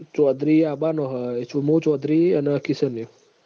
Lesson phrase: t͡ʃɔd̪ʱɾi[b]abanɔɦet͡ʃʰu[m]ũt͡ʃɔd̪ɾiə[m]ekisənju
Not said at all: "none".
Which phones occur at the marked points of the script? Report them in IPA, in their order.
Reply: none, m, n

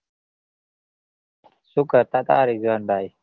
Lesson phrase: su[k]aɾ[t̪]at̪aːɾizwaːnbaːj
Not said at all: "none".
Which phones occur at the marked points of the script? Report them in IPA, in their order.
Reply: k, t̪

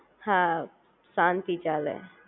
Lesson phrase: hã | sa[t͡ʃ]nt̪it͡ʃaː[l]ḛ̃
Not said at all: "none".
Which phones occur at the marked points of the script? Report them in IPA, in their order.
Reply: none, l

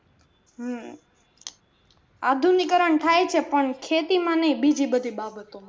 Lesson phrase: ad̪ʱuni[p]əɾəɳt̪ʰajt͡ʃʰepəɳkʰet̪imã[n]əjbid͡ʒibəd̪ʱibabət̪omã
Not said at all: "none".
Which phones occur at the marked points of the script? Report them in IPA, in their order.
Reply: k, n

